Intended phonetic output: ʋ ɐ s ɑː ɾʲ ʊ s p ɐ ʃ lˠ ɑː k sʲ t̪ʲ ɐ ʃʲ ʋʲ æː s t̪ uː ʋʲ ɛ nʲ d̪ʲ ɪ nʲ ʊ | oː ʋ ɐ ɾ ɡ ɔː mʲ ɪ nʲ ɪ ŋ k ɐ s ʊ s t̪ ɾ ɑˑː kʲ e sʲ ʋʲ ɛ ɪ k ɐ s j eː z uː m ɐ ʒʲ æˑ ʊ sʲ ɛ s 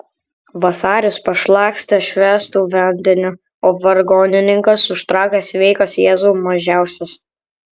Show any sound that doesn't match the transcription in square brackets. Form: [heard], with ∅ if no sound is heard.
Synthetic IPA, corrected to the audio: ʋ ɐ s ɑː ɾʲ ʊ s p ɐ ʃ lˠ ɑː k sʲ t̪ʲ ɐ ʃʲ ʋʲ æː s t̪ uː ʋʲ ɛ nʲ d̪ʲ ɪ nʲ ʊ | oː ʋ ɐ ɾ ɡ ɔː [nʲ] ɪ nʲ ɪ ŋ k ɐ s ʊ [ʃ] t̪ ɾ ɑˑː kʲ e sʲ ʋʲ ɛ ɪ k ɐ s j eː z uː m ɐ ʒʲ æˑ ʊ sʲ ɛ s